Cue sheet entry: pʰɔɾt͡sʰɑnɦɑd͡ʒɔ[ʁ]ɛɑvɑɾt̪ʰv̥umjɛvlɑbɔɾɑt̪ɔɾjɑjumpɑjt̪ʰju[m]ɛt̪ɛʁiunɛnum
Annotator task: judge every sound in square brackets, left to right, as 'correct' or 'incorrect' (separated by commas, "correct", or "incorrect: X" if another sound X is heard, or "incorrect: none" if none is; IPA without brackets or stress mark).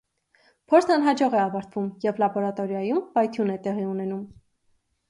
correct, incorrect: n